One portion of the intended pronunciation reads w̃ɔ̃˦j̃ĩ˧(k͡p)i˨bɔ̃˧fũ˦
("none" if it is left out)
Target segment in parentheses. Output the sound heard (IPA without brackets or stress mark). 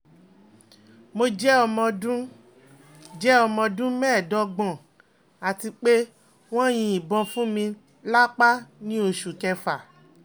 none